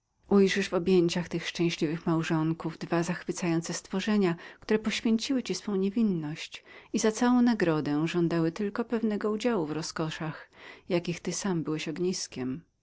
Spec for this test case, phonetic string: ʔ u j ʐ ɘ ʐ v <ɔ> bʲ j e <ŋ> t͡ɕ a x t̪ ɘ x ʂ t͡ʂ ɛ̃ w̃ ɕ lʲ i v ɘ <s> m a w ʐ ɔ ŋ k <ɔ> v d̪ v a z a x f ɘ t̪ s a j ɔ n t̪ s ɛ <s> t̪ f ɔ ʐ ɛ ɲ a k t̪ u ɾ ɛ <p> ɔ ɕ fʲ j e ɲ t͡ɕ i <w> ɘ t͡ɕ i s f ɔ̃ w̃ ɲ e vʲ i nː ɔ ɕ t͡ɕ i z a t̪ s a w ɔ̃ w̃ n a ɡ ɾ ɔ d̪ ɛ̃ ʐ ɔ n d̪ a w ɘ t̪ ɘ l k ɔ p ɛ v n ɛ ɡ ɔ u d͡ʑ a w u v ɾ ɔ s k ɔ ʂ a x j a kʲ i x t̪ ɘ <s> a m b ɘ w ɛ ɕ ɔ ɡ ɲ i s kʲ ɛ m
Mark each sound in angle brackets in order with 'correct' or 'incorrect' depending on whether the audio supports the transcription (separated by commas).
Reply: correct, incorrect, incorrect, incorrect, correct, correct, correct, correct